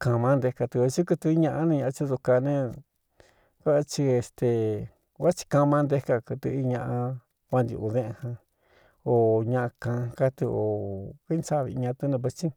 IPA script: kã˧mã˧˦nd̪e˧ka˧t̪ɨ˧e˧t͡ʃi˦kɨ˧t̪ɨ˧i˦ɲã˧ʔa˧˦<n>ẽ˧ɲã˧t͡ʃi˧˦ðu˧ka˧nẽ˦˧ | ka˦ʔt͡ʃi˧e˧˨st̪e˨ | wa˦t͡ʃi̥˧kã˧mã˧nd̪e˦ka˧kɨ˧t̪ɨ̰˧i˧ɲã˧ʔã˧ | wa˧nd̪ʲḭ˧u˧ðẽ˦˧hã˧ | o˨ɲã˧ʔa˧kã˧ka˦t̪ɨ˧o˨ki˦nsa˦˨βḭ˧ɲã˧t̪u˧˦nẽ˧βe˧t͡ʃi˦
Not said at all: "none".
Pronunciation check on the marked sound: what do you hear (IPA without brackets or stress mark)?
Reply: n